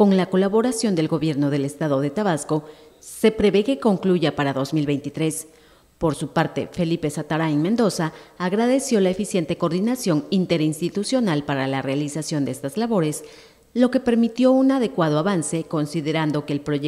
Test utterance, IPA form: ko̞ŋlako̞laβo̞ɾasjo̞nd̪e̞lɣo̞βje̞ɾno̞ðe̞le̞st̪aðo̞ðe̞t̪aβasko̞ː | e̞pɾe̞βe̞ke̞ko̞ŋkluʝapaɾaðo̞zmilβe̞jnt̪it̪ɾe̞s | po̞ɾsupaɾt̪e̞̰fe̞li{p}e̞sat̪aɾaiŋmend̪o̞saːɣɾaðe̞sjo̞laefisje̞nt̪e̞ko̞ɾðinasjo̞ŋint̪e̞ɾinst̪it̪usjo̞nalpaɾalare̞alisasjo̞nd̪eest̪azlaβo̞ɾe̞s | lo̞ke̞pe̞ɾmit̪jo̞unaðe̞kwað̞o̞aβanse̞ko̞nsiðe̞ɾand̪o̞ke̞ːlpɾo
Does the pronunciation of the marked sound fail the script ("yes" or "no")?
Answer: no